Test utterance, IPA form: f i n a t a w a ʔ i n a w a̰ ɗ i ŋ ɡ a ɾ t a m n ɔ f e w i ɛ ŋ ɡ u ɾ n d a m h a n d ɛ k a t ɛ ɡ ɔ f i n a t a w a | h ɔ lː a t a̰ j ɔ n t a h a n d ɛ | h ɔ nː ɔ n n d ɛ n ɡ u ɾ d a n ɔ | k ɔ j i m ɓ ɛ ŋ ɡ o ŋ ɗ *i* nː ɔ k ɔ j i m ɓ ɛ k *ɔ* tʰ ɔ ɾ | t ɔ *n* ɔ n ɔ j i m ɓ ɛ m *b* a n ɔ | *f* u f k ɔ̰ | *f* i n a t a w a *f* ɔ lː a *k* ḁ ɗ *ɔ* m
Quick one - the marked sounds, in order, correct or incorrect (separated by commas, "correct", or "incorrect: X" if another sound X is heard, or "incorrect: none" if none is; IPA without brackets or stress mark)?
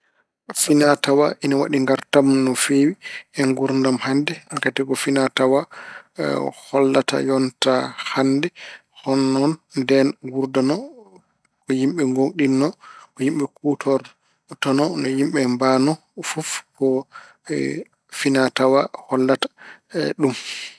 correct, incorrect: u, correct, correct, correct, correct, incorrect: h, incorrect: t, incorrect: u